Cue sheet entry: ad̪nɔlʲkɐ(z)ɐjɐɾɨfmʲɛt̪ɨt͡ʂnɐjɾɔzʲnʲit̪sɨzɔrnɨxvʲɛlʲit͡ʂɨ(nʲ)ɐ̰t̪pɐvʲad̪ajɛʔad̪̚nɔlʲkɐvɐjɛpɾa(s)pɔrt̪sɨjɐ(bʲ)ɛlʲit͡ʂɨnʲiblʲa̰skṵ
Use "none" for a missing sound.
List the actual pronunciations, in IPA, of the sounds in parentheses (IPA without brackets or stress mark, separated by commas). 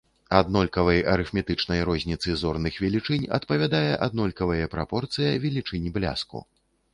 v, nʲ, none, vʲ